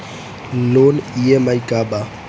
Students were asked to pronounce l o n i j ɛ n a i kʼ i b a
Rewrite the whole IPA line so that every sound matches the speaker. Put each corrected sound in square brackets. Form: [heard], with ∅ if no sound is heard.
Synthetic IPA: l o n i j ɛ [m] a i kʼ [a] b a

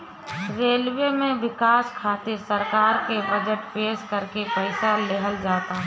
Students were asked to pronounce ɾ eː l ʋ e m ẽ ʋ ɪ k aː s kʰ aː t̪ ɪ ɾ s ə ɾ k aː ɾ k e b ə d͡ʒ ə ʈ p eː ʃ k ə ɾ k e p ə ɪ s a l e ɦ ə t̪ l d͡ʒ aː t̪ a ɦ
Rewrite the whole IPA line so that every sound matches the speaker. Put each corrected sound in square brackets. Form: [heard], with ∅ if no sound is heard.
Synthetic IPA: ɾ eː l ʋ e m ẽ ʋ ɪ k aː s kʰ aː t̪ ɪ ɾ s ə ɾ k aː ɾ k e b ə d͡ʒ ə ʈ p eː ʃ k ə ɾ k e p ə ɪ s a l e ɦ ə [∅] l d͡ʒ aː t̪ a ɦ

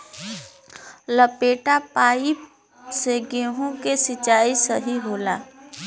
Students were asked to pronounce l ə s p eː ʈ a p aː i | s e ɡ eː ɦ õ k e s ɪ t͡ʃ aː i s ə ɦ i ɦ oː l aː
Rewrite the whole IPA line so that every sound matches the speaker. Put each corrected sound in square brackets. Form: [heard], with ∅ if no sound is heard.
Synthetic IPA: l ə [∅] p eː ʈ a p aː i | s e ɡ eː ɦ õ k e s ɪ t͡ʃ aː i s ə ɦ i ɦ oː l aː

